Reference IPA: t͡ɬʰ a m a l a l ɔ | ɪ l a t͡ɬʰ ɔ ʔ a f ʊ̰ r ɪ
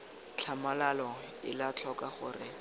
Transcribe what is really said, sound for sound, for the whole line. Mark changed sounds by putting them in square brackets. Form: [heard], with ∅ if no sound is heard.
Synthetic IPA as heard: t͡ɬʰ a m a l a l ɔ | ɪ l a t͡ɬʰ ɔ [k] a [χ] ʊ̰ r ɪ